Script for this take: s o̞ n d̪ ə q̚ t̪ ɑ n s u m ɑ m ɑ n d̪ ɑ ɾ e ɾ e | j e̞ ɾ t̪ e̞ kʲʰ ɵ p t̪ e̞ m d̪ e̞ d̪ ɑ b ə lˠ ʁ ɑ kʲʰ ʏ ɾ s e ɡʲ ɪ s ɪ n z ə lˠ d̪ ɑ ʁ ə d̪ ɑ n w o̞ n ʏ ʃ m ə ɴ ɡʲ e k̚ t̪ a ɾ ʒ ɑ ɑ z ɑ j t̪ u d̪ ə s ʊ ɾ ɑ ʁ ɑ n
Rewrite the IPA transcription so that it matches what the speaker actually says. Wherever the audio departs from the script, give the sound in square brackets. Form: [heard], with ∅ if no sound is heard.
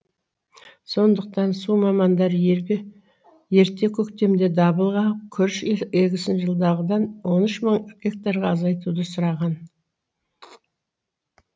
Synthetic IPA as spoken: s o̞ n d̪ ə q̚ t̪ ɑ n s u m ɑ m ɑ n d̪ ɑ ɾ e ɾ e | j e̞ ɾ t̪ e̞ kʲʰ ɵ [k] t̪ e̞ m d̪ e̞ d̪ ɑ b ə lˠ ʁ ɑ kʲʰ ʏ ɾ [ʃ] e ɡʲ ɪ s ɪ n [ʒ] ə lˠ d̪ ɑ ʁ ə d̪ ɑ n w o̞ n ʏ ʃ m ə ɴ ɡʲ e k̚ t̪ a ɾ [ʁ] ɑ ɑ z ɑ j t̪ u d̪ ə s ʊ ɾ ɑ ʁ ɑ n